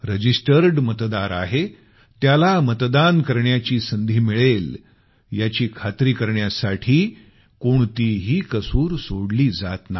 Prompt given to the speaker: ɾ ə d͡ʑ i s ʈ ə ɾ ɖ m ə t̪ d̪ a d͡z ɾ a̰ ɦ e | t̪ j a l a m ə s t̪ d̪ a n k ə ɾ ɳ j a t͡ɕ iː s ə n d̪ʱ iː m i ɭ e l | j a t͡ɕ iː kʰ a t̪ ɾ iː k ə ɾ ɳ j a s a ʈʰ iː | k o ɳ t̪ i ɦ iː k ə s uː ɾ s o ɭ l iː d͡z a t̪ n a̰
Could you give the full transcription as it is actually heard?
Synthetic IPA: ɾ ə d͡ʑ i s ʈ ə ɾ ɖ m ə t̪ d̪ a ɾ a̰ ɦ e | t̪ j a l a m ə t̪ d̪ a n k ə ɾ ɳ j a t͡ɕ iː s ə n d̪ʱ iː m i ɭ e l | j a t͡ɕ iː kʰ a t̪ ɾ iː k ə ɾ ɳ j a s a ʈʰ iː | k o ɳ t̪ i ɦ iː k ə s uː ɾ s o ɽ l iː d͡z a t̪ n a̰